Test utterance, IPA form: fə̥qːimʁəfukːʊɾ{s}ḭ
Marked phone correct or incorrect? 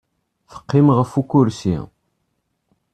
correct